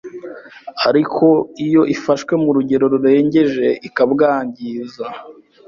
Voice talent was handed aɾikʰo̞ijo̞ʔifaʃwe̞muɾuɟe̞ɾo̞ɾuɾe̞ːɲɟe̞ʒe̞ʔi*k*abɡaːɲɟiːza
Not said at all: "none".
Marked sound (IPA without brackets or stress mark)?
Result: k